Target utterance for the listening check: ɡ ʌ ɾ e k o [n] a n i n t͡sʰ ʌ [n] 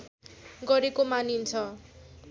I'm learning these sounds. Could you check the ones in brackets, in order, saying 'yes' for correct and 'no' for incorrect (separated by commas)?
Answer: no, no